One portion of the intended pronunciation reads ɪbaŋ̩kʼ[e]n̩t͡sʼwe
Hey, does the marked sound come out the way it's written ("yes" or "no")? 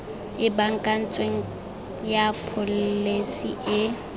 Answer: no